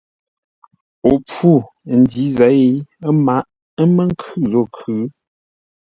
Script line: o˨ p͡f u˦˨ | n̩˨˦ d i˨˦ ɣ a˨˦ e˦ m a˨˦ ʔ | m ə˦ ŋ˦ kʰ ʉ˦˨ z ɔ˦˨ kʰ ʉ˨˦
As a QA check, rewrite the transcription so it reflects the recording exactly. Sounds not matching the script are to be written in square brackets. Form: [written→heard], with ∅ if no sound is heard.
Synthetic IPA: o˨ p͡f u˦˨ | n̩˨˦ d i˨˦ [ɣ→z] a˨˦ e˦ m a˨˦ ʔ | m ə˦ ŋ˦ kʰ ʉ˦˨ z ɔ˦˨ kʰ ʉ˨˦